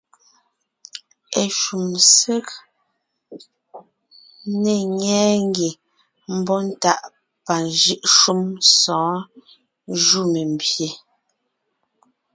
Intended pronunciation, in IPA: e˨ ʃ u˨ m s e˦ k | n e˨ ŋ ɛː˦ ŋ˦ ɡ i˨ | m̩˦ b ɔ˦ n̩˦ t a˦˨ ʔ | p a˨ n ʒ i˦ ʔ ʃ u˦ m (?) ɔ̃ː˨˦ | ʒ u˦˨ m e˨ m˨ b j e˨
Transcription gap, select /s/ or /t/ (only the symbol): s